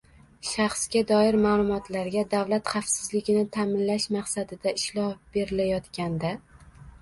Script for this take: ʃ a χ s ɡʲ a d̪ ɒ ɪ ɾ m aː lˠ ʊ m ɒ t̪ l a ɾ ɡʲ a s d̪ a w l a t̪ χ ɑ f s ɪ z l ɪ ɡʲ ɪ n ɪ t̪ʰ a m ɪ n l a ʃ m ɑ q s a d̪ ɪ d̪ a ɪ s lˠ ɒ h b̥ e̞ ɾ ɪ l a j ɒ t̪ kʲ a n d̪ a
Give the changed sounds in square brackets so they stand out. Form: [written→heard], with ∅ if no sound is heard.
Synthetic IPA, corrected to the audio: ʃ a χ s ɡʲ a d̪ ɒ ɪ ɾ m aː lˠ ʊ m ɒ t̪ l a ɾ ɡʲ a [s→∅] d̪ a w l a t̪ χ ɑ f s ɪ z l ɪ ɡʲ ɪ n ɪ t̪ʰ a m ɪ n l a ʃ m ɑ q s a d̪ ɪ d̪ a ɪ [s→ʃ] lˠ ɒ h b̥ e̞ ɾ ɪ l a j ɒ t̪ kʲ a n d̪ a